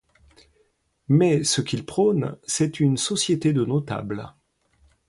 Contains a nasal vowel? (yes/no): no